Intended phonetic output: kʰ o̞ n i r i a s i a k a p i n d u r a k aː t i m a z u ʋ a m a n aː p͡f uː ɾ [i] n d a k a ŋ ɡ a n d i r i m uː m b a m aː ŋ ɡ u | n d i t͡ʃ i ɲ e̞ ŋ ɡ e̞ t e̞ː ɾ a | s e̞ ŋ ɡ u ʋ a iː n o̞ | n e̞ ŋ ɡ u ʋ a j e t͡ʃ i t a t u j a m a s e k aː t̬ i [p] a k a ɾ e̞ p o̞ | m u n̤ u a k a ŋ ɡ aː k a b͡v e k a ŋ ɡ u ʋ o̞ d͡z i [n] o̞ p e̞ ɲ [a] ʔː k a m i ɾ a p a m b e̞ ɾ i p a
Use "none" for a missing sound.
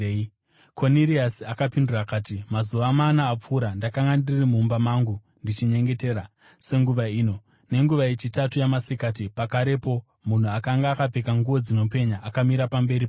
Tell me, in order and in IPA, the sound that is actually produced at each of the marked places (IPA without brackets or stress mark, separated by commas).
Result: a, p, n, a